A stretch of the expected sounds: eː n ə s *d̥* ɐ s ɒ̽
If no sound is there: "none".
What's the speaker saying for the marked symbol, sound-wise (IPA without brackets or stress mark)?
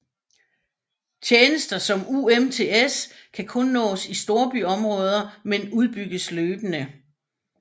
d̥